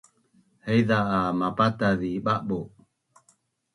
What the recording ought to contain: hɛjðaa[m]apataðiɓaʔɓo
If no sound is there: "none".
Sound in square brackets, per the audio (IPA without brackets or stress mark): m